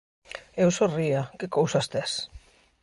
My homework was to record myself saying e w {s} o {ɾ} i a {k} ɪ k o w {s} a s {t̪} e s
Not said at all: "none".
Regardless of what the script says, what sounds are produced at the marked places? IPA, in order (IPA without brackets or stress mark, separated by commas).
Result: s, r, k, s, t̪